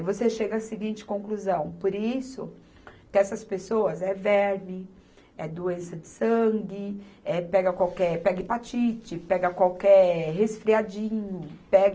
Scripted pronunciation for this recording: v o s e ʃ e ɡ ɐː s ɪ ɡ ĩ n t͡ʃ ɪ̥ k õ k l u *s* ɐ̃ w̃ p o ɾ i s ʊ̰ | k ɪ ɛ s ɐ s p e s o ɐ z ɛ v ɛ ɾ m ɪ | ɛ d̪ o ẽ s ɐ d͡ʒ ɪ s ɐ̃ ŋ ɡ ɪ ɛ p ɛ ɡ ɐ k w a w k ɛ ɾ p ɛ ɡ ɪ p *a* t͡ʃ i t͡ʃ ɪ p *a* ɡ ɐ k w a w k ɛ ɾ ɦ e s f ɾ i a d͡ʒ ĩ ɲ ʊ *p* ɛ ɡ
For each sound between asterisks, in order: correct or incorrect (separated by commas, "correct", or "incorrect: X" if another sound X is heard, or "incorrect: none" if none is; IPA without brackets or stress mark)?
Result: incorrect: z, correct, incorrect: ɛ, correct